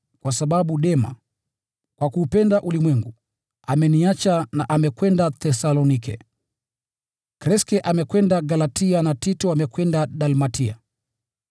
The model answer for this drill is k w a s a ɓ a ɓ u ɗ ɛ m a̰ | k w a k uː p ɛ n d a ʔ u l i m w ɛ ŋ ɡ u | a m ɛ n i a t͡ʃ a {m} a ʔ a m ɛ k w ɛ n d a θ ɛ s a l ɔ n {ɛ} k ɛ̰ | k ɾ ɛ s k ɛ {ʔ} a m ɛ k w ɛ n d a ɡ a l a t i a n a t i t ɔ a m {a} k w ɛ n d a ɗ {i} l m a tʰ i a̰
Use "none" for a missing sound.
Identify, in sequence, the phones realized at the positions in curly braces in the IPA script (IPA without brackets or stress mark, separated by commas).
n, i, ʔ, ɛ, a